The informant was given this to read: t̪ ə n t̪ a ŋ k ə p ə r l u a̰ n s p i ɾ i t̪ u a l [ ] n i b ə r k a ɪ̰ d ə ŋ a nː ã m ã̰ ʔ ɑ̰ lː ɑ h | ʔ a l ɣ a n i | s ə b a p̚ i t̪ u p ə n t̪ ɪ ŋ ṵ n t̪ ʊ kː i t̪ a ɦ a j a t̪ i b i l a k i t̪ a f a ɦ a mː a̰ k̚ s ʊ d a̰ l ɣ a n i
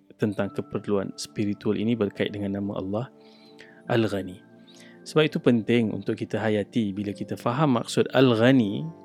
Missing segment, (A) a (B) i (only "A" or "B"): B